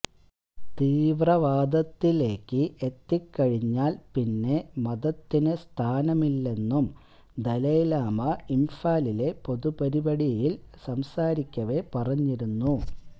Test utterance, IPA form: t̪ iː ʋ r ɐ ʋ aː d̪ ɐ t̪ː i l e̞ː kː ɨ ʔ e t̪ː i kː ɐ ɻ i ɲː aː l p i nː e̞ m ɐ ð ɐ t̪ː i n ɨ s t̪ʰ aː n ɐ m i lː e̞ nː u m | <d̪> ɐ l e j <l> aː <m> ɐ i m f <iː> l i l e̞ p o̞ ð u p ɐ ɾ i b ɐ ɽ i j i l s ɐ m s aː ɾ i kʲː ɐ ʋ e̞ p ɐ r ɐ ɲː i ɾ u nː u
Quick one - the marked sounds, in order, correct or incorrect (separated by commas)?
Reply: correct, correct, correct, incorrect